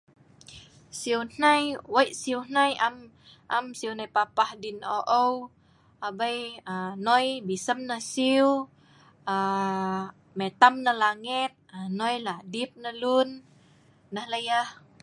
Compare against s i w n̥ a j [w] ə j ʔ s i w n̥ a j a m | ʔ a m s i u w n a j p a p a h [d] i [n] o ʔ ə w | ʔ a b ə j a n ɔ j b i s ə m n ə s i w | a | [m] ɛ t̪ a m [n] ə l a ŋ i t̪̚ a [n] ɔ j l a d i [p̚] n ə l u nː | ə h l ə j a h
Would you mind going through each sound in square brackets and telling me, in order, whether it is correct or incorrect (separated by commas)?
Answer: correct, correct, correct, correct, correct, correct, correct